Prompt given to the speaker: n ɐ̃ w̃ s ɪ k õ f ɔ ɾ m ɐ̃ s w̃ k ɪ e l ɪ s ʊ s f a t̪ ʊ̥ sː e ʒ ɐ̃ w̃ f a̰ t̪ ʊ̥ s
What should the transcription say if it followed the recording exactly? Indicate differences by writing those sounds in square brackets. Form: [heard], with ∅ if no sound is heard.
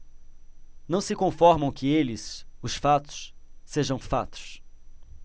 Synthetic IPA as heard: n ɐ̃ w̃ s ɪ k õ f ɔ ɾ m ɐ̃ [∅] w̃ k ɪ e l ɪ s ʊ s f a t̪ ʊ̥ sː e ʒ ɐ̃ w̃ f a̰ t̪ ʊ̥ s